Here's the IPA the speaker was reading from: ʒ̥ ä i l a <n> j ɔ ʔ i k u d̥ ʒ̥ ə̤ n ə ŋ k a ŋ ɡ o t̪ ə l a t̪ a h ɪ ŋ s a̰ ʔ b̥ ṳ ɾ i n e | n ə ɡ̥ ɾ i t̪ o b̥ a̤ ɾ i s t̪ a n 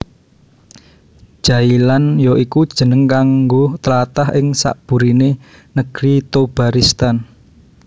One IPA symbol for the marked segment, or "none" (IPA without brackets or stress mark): n